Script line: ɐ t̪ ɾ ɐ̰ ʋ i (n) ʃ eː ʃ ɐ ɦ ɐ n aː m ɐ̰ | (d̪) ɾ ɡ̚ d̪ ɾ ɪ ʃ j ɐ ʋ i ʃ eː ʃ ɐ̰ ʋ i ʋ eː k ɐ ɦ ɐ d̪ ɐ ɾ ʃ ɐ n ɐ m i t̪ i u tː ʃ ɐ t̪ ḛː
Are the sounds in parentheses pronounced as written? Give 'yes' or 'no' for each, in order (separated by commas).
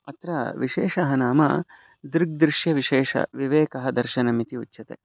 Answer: no, yes